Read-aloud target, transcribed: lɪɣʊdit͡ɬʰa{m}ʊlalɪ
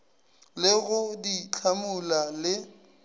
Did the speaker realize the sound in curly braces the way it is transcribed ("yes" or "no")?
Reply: yes